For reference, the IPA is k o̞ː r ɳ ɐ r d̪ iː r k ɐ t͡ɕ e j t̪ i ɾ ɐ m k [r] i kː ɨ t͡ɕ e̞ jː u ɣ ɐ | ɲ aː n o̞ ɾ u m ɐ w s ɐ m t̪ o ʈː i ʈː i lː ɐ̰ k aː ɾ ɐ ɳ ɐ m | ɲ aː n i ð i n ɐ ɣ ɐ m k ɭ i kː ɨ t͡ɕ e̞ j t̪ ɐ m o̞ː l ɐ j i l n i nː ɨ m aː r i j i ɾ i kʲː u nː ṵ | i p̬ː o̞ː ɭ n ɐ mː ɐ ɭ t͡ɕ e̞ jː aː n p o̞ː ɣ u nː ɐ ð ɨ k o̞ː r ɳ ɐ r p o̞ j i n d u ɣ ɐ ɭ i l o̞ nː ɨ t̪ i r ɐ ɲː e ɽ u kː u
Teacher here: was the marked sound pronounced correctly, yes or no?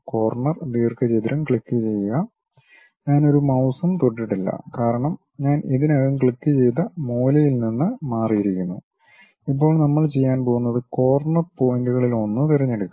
no